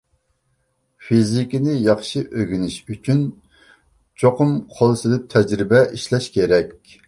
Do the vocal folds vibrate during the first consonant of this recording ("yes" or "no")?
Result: no